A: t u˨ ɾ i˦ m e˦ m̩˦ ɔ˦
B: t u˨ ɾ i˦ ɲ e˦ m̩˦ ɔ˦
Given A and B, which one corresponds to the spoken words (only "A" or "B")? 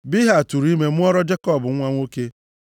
A